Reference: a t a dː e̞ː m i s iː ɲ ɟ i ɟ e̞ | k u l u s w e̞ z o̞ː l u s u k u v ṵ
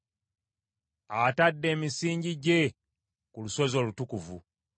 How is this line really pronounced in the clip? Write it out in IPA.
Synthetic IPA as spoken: a t a dː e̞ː m i s iː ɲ ɟ i ɟ e̞ | k u l u s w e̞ z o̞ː l u t u k u v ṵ